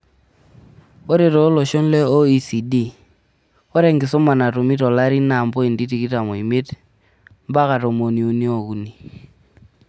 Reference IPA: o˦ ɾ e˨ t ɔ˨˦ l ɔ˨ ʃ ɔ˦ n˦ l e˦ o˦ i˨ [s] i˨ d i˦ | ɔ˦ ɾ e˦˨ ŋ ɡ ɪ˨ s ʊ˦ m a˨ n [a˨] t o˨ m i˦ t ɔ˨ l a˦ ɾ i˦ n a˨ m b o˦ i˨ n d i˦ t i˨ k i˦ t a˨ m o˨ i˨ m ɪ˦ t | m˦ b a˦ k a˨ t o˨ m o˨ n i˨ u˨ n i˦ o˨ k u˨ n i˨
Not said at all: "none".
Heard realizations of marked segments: s, a˨

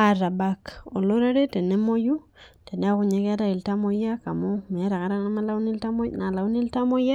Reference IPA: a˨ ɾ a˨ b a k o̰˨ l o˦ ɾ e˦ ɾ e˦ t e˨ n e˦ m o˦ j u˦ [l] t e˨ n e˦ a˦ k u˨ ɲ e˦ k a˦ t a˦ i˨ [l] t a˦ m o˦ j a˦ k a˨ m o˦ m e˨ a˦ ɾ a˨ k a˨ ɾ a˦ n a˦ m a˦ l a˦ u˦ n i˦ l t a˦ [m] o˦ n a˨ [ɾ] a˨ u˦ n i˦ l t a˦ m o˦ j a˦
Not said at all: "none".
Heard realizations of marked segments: none, l, m, l

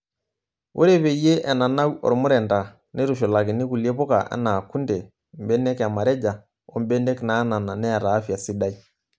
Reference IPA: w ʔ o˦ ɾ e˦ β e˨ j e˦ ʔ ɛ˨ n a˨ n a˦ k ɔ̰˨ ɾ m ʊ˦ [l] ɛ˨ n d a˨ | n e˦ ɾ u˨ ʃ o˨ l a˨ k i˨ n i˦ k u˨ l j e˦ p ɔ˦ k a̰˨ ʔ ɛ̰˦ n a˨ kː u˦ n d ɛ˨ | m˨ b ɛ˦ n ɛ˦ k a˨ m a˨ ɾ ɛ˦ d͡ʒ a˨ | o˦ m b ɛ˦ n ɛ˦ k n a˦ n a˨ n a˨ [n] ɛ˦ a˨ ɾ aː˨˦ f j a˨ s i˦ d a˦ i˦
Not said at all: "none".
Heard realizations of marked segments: ɾ, n

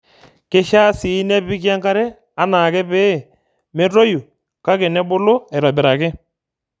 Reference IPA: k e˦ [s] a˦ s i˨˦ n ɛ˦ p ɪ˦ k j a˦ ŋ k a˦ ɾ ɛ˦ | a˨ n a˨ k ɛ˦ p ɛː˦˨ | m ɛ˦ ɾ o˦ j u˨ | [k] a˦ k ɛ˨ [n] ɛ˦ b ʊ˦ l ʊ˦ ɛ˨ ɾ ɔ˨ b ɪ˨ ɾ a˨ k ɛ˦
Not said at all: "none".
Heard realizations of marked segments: ʃ, k, n

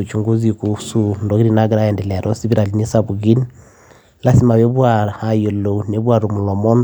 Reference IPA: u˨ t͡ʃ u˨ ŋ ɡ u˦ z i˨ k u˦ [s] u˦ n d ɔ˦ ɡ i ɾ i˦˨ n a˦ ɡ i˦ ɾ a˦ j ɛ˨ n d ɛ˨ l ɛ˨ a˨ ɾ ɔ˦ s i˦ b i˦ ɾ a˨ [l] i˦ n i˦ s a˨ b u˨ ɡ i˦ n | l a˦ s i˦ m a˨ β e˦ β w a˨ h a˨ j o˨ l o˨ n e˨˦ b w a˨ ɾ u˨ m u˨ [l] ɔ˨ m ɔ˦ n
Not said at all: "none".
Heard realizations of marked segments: s, l, l

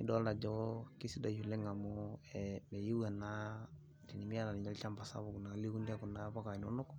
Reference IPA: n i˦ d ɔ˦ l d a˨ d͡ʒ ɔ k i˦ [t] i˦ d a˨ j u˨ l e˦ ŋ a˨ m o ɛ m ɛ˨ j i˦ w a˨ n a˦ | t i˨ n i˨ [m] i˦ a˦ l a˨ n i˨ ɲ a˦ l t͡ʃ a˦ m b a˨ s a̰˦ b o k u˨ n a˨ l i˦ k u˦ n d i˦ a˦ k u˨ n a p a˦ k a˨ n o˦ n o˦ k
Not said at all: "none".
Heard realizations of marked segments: s, m

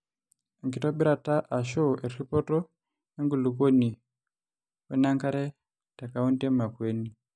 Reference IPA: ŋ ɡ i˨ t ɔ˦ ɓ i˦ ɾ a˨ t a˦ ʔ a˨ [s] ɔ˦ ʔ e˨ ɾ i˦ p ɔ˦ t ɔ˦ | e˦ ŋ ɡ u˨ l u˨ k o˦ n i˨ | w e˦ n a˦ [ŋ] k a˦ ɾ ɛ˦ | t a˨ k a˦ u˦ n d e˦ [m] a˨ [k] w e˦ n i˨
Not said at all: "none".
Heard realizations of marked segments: ʃ, ŋ, m, k

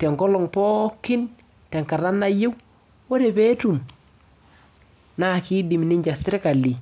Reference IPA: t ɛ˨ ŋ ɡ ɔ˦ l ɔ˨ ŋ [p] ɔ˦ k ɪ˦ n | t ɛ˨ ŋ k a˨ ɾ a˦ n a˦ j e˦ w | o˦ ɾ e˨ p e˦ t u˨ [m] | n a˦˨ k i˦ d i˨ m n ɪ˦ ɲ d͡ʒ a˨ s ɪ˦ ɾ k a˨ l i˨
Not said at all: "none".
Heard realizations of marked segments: p, m

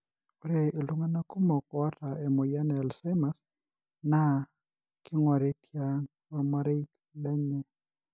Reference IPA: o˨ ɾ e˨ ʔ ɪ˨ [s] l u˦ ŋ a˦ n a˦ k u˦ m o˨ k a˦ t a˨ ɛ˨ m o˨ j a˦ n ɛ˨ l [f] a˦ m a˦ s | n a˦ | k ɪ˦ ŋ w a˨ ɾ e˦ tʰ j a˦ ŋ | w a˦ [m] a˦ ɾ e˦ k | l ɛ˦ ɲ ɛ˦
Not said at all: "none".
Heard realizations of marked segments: none, s, m

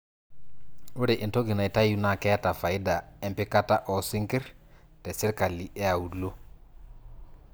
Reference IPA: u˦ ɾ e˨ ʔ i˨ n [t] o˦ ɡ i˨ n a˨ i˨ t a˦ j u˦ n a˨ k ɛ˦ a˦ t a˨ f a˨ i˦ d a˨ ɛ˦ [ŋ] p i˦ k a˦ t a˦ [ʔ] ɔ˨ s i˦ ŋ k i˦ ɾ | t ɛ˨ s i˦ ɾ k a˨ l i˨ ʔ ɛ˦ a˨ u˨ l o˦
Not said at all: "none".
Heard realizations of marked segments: t, m, ʔ

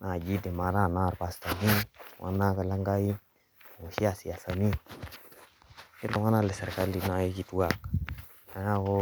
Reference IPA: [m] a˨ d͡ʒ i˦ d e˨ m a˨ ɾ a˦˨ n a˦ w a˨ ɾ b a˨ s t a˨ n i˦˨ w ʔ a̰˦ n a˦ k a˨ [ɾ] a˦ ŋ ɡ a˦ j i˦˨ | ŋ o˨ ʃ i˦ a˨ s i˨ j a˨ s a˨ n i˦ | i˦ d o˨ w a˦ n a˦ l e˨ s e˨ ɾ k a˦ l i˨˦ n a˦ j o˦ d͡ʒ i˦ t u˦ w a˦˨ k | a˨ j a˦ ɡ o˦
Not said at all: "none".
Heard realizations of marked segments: n, l

